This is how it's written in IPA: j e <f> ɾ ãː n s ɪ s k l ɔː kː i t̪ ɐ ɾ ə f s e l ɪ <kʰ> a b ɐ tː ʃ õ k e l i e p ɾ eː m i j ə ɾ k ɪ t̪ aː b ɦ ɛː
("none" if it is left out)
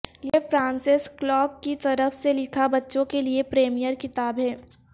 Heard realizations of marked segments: f, kʰ

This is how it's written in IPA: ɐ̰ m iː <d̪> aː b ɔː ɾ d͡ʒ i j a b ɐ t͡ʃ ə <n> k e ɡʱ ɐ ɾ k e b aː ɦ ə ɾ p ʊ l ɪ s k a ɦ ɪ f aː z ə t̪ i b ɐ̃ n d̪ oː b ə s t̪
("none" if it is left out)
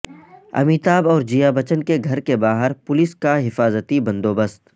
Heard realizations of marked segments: t̪, n

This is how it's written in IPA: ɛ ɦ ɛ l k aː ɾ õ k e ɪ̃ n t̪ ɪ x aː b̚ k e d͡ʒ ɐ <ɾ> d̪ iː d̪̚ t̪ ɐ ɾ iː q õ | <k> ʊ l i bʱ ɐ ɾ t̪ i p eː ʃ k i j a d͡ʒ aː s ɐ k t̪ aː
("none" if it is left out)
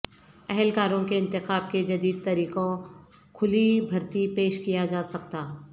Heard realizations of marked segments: none, kʰ

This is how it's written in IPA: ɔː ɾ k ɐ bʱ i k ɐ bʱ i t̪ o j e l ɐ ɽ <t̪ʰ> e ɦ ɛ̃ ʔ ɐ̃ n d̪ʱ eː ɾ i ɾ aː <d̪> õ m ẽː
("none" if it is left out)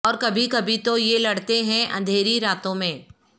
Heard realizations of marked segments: t̪, t̪

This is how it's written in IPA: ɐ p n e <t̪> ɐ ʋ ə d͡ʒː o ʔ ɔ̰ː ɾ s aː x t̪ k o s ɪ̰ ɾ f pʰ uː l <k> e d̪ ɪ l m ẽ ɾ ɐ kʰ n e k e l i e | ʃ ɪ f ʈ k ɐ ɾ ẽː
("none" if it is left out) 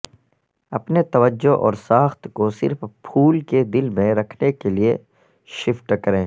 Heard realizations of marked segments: t̪, k

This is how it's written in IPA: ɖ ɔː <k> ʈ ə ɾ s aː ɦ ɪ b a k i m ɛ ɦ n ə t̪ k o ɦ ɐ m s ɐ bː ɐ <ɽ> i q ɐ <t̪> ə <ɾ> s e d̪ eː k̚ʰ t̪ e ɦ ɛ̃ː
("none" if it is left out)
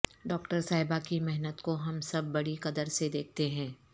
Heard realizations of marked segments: k, ɽ, d̪, ɾ

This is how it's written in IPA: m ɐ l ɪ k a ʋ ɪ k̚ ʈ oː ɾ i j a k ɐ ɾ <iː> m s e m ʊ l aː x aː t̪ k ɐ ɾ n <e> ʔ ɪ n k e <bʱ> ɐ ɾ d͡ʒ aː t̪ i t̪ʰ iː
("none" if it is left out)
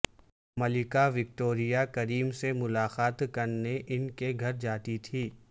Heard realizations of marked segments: iː, e, ɡʱ

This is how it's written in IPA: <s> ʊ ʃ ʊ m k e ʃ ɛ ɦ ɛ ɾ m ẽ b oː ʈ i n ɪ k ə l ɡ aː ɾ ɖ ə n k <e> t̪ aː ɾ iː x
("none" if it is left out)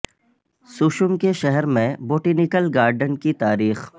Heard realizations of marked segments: s, i

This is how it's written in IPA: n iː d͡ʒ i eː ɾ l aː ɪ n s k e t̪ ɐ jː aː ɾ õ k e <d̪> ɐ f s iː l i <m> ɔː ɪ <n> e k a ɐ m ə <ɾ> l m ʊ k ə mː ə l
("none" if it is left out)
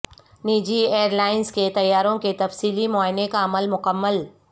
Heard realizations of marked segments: t̪, m, n, none

